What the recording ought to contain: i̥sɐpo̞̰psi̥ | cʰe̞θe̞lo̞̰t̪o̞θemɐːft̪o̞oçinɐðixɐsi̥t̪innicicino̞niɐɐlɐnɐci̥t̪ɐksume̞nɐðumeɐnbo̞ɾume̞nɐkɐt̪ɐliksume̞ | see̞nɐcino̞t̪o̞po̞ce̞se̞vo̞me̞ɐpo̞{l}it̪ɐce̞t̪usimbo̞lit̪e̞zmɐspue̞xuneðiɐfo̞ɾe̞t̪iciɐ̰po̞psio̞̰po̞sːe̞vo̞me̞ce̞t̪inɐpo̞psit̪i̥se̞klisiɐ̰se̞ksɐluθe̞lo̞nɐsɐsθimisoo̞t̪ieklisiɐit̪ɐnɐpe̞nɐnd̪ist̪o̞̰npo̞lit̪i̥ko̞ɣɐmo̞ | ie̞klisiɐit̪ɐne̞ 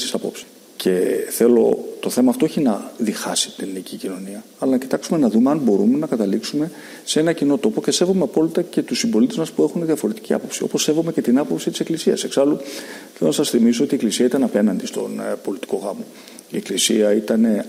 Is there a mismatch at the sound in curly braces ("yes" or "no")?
no